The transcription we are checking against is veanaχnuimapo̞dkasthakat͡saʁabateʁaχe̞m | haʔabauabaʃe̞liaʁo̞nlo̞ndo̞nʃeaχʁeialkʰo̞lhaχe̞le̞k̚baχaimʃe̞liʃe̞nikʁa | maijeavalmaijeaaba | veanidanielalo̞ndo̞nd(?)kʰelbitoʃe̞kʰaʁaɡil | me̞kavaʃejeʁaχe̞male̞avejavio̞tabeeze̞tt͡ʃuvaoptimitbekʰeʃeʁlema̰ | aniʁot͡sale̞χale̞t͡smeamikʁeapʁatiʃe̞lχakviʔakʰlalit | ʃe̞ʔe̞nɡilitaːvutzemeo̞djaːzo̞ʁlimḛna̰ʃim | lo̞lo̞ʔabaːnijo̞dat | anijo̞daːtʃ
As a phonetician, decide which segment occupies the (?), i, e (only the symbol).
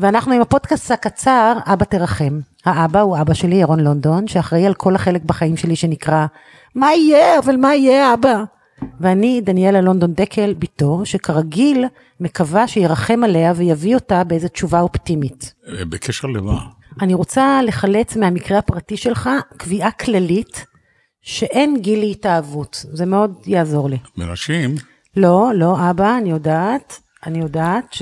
e